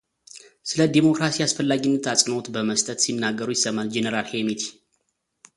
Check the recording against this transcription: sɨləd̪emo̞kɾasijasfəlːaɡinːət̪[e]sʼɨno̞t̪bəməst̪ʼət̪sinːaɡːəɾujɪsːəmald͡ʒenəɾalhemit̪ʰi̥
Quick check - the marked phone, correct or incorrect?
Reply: incorrect